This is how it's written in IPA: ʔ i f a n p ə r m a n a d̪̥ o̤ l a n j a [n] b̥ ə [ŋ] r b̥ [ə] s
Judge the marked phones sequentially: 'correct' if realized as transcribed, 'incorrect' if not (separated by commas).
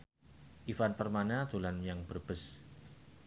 incorrect, incorrect, correct